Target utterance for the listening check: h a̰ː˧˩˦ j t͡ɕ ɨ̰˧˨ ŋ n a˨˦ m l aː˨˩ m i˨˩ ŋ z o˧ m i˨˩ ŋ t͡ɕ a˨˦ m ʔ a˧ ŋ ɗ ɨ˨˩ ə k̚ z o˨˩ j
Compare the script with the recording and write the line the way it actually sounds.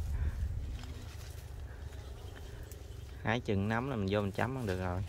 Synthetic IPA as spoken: h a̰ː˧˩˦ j t͡ɕ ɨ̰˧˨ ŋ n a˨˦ m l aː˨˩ m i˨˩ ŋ z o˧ m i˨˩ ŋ t͡ɕ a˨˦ m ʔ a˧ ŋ ɗ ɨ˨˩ ə k̚ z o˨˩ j

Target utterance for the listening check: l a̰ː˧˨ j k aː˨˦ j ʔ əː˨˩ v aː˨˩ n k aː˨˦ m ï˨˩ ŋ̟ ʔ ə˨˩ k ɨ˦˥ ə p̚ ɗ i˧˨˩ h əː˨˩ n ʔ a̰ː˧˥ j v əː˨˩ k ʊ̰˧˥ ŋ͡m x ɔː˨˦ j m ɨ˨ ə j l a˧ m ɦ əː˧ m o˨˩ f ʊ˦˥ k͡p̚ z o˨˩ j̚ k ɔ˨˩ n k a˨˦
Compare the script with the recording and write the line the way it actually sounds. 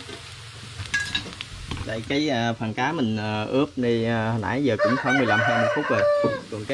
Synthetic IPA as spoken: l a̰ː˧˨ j k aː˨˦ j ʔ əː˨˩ f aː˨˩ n k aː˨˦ m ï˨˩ ŋ̟ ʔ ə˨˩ ʔ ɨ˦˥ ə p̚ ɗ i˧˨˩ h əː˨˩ n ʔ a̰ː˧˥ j z əː˨˩ k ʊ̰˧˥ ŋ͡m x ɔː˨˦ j m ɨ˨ ə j l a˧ m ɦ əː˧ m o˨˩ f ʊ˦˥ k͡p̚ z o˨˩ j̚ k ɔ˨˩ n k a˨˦

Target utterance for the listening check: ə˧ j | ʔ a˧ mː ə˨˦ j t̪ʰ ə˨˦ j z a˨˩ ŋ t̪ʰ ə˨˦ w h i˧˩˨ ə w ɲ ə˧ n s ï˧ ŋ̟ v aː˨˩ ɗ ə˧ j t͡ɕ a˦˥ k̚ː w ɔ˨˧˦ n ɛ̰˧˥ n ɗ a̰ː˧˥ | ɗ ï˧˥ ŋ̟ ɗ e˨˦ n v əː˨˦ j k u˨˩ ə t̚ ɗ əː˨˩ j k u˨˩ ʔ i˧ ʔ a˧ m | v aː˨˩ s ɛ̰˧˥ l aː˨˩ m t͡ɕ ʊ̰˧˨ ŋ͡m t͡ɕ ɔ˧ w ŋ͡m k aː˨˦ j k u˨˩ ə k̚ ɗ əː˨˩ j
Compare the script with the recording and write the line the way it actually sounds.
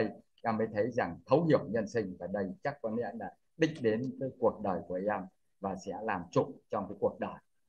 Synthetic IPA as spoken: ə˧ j | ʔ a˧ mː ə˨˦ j t̪ʰ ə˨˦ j z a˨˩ ŋ t̪ʰ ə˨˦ w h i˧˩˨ ə w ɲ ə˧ n s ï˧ ŋ̟ v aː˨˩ ɗ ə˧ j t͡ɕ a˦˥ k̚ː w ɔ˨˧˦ n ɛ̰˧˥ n ɗ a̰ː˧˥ | ɗ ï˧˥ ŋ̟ ɗ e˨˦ n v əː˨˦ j k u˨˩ ə k̚ ɗ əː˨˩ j k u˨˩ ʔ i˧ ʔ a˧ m | v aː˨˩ s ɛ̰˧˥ l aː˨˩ m t͡ɕ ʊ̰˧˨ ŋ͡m t͡ɕ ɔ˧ w ŋ͡m k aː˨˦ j k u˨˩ ə k̚ ɗ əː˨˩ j

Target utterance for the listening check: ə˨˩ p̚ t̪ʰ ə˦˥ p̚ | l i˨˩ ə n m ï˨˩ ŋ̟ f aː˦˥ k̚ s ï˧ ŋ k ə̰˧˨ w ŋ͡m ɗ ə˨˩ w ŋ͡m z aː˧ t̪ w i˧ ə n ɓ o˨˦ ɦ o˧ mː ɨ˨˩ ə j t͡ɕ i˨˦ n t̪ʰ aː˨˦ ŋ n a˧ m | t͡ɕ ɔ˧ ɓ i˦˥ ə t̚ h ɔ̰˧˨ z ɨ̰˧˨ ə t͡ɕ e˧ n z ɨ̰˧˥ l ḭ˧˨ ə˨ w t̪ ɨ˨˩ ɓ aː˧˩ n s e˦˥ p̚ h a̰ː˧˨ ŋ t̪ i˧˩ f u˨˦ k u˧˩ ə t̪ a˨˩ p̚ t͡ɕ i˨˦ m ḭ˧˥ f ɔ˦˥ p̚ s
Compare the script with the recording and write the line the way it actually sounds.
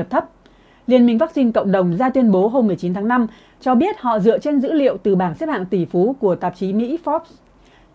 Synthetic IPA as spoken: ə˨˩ p̚ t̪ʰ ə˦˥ p̚ | l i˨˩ ə n m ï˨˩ ŋ̟ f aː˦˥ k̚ s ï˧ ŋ k ə̰˧˨ w ŋ͡m ɗ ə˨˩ w ŋ͡m z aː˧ t̪ w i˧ ə n ɓ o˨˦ ɦ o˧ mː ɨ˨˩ ə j t͡ɕ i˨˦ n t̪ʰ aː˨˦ ŋ n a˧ m | t͡ɕ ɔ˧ ɓ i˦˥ ə t̚ h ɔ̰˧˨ z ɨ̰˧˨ ə t͡ɕ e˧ n z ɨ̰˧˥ l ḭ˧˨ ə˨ w t̪ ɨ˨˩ ɓ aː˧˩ n s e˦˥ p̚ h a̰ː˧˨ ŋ t̪ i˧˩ f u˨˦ k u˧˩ ə t̪ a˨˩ p̚ t͡ɕ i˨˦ m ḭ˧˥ f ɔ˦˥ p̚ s

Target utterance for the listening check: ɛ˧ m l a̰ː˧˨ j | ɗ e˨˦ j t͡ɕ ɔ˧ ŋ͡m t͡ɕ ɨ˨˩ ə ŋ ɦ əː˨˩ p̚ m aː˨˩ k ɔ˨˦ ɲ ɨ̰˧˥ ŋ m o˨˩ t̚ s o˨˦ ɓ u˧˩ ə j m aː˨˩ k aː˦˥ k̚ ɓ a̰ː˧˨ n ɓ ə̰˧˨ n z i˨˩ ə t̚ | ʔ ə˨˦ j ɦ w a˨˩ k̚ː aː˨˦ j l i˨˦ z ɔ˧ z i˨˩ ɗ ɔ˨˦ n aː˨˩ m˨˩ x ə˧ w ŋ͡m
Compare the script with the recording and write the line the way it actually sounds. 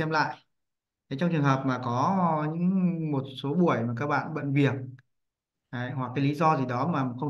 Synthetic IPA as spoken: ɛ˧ m l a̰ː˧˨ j | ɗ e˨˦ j t͡ɕ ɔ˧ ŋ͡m t͡ɕ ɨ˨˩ ə ŋ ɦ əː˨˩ p̚ m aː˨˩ k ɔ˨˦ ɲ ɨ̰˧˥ ŋ m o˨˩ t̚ s o˨˦ ɓ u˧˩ ə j m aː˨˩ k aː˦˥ k̚ ɓ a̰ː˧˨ n ɓ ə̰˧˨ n v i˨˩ ə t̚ | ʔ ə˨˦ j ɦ w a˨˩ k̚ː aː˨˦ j l i˨˦ z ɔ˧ z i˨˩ ɗ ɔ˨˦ m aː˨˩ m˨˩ x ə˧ w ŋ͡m

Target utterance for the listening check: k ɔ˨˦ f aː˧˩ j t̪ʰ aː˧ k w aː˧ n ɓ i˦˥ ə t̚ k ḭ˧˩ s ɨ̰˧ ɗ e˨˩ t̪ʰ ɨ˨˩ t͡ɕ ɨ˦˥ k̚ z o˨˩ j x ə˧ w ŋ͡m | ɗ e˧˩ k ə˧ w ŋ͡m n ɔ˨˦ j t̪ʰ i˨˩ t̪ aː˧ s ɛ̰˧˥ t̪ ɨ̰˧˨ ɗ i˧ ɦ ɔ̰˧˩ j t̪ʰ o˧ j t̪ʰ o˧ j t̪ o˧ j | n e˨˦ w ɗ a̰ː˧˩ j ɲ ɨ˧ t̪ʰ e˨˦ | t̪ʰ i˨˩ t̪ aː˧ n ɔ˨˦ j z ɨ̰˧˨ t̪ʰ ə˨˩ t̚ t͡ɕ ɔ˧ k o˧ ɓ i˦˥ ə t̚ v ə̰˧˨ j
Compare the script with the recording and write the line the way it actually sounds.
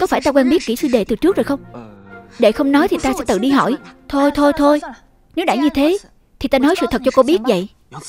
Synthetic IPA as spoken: k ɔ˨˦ f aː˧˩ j t̪ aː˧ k w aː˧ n ɓ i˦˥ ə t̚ k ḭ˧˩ s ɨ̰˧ ɗ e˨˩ t̪ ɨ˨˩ t͡ɕ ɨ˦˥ k̚ z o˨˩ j x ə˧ w ŋ͡m | ɗ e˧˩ x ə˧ w ŋ͡m n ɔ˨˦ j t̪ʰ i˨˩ t̪ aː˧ s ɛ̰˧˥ t̪ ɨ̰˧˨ ɗ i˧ ɦ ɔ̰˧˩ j t̪ʰ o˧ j t̪ʰ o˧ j t̪ʰ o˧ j | n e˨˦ w ɗ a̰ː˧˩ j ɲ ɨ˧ t̪ʰ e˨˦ | t̪ʰ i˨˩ t̪ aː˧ n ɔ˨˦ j s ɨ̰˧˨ t̪ʰ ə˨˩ t̚ t͡ɕ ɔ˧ k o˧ ɓ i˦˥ ə t̚ v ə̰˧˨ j

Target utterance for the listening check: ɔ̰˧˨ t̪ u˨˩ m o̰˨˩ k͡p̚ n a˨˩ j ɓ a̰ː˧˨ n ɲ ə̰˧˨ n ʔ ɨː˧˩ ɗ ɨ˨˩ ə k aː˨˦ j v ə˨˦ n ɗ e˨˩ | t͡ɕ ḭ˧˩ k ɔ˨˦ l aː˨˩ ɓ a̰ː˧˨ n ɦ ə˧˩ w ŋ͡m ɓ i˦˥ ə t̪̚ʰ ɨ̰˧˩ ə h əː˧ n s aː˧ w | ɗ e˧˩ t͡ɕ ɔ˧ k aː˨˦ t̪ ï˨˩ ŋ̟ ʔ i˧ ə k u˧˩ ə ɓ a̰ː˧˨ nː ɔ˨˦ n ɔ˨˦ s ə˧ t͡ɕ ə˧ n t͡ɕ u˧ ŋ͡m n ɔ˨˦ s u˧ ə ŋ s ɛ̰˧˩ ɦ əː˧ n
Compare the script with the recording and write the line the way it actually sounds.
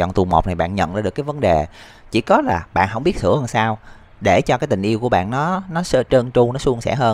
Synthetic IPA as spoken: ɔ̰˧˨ t̪ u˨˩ m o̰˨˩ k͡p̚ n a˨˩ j ɓ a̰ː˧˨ n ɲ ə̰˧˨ n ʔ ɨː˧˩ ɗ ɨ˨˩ ə k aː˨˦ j v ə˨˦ n ɗ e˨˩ | t͡ɕ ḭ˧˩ k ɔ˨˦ l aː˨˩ ɓ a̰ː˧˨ n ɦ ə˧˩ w ŋ͡m ɓ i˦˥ ə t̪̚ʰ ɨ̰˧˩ ə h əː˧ n s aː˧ w | ɗ e˧˩ t͡ɕ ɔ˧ k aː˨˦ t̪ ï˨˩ ŋ̟ ʔ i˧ ə k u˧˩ ə ɓ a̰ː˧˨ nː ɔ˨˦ n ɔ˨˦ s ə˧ t͡ɕ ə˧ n t͡ɕ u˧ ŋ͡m n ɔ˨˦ s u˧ ə ŋ s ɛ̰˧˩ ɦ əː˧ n

